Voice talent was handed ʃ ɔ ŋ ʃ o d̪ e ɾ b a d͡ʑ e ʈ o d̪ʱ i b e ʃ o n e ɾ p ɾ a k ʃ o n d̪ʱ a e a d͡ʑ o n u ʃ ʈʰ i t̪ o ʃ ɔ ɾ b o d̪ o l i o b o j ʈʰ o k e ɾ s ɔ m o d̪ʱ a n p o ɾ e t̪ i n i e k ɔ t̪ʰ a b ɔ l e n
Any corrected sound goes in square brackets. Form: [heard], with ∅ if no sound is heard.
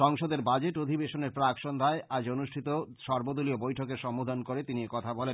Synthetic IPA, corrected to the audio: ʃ ɔ ŋ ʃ o d̪ e ɾ b a d͡ʑ e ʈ o d̪ʱ i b e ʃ o n e ɾ p ɾ a k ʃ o n d̪ʱ a e a d͡ʑ o n u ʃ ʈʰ i t̪ o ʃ ɔ ɾ b o d̪ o l i o b o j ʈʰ o k e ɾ [ʃ] ɔ m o d̪ʱ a n [k] o ɾ e t̪ i n i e k ɔ t̪ʰ a b ɔ l e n